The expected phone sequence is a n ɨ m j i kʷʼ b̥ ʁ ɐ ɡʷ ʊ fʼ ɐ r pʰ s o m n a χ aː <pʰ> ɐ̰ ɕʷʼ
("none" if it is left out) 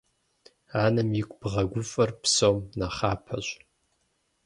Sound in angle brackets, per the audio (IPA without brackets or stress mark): pʰ